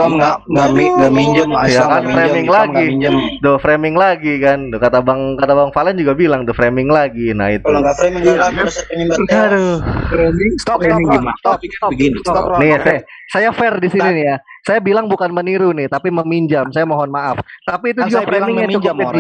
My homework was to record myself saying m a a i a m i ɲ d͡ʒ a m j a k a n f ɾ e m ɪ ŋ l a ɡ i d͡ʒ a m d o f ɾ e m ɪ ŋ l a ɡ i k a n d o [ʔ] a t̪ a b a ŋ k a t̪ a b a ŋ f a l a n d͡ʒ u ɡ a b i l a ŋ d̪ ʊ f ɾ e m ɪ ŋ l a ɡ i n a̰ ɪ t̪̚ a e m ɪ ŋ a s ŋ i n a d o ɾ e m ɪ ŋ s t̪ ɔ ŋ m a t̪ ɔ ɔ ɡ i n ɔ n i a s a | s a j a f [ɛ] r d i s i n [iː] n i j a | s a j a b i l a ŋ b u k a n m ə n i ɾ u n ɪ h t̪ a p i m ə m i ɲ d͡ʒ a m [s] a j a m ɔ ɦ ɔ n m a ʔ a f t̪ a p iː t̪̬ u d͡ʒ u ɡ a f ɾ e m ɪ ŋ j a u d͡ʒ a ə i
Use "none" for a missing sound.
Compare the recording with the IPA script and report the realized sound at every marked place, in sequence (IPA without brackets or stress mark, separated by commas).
k, ɛ, i, s